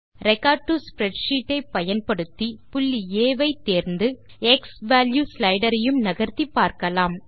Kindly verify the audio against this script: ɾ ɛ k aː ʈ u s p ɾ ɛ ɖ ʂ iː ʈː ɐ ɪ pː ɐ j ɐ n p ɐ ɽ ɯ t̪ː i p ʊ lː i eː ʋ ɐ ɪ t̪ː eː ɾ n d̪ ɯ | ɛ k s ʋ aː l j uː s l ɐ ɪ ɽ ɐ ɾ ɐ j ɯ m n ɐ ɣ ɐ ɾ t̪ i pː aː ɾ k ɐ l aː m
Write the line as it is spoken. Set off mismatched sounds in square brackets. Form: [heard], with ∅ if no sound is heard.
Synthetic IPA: ɾ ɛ k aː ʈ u s p ɾ ɛ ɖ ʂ iː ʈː ɐ ɪ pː ɐ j ɐ n p ɐ ɽ ɯ t̪ː i p ʊ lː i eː ʋ ɐ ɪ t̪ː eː ɾ n d̪ ɯ | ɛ k s ʋ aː l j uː s l ɐ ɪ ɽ ɐ ɾ ɐ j ɯ m n ɐ ɣ ɐ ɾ t̪ i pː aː ɾ k ɐ l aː m